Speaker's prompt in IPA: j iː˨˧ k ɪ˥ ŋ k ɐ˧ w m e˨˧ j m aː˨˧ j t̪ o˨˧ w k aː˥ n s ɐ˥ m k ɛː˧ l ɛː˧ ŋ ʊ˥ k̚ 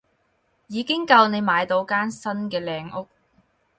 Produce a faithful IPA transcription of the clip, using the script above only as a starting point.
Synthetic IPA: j iː˨˧ k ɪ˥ ŋ k ɐ˧ w n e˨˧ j m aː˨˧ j t̪ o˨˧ w k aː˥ n s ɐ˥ n k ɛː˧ l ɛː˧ ŋ ʊ˥ k̚